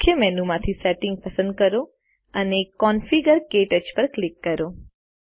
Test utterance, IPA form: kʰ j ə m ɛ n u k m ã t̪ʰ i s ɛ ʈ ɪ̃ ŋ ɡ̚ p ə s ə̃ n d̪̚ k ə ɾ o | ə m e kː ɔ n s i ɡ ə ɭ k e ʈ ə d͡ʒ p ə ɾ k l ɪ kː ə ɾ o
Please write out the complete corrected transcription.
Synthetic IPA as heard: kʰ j ə m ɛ n u m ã t̪ʰ i s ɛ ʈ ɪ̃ ŋ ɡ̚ p ə s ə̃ n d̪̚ k ə ɾ o | ə n e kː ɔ n f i ɡ ə ɾ k e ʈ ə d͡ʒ p ə ɾ k l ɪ kː ə ɾ o